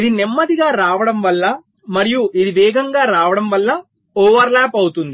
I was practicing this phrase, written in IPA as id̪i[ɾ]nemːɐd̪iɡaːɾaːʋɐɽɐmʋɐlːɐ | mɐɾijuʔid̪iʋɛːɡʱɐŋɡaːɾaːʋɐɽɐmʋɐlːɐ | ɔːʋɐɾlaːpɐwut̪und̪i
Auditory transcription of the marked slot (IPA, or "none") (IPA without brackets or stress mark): none